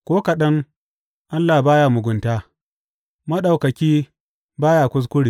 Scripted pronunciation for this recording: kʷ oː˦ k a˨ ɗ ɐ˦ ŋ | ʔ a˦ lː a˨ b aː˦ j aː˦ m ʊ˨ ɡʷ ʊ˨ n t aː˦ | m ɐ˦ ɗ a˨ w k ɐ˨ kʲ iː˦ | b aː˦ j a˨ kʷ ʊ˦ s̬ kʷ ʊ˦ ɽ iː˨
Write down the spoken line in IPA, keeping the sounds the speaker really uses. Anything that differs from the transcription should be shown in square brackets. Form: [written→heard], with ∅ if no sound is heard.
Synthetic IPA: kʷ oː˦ k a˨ ɗ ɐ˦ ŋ | ʔ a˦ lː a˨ b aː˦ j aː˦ m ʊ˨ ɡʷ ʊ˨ n t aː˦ | m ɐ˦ ɗ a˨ w k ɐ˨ kʲ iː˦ | b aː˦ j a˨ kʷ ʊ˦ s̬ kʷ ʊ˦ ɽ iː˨